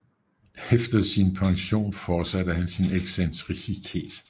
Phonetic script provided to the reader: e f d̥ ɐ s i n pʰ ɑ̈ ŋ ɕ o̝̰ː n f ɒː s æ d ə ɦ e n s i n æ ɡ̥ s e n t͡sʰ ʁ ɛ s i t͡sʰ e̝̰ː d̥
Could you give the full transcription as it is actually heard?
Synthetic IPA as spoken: e f d̥ ɐ s i n pʰ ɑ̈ ŋ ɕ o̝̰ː n f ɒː s æ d ə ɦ æ n s i n e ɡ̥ s e n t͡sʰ ʁ i s i t͡sʰ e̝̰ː d̥